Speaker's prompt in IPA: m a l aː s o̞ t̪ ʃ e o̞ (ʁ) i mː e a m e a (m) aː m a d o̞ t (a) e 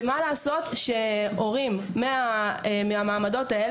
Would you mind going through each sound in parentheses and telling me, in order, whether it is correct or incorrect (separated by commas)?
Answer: correct, correct, correct